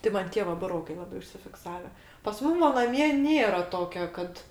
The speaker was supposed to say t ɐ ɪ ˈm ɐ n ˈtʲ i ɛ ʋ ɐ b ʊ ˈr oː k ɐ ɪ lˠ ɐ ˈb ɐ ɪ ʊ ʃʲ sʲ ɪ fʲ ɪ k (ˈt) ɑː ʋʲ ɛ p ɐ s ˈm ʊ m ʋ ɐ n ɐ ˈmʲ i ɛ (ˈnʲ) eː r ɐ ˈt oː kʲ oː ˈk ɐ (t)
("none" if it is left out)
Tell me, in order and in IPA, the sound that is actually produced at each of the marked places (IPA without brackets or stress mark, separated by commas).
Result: s, nʲ, t